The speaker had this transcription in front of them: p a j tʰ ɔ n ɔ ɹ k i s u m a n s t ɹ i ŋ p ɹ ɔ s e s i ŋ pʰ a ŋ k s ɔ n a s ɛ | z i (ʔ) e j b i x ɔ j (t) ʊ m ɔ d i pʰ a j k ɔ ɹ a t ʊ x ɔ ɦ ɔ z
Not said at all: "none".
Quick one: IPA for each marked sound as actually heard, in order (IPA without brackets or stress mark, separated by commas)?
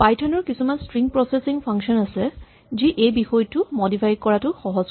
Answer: ʔ, t